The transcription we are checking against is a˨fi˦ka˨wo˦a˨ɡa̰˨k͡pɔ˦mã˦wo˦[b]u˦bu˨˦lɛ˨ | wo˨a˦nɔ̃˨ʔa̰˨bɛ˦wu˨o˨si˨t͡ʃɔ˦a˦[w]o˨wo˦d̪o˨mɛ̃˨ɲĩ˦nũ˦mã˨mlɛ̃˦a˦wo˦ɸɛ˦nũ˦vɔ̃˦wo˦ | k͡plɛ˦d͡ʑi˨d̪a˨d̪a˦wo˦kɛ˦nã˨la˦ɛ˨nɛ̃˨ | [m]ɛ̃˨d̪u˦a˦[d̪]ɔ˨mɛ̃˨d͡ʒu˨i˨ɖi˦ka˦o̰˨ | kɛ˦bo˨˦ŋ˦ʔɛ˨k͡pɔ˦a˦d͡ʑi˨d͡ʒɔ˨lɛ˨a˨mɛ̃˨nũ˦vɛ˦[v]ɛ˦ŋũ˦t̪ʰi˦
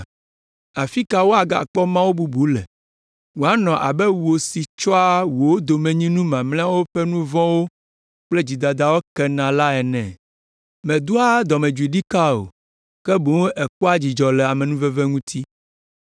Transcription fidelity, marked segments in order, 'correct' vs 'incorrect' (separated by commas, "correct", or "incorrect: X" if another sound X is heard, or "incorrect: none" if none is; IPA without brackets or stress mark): correct, correct, correct, correct, correct